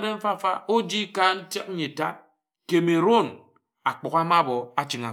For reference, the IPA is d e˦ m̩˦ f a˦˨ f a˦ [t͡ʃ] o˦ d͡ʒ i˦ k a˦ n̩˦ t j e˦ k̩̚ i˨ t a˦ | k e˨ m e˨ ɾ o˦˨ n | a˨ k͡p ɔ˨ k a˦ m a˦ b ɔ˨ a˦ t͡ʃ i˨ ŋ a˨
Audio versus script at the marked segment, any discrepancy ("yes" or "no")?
yes